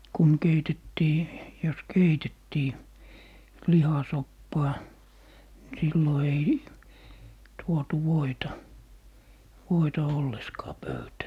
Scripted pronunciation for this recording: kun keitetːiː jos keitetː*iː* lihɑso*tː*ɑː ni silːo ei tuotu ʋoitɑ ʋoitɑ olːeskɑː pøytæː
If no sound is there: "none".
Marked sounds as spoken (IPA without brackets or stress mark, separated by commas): iː, pː